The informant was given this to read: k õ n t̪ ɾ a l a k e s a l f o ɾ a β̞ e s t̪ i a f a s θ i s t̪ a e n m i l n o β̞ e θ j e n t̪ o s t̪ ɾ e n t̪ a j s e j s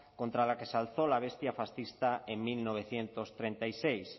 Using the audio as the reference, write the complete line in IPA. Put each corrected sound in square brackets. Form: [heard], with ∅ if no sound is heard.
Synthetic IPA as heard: k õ n t̪ ɾ a l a k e s a l [θ] o [l] a β̞ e s t̪ [j] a f a s θ i s t̪ a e [ŋ] m i l n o β̞ e θ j e n t̪ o s t̪ ɾ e n t̪ a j s e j s